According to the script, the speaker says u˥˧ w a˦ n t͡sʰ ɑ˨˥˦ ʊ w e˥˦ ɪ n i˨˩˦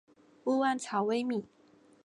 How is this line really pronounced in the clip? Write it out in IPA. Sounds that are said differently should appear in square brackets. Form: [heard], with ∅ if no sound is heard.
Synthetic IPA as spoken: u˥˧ w [a˥˩] n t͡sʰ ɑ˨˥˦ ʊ w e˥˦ ɪ [m] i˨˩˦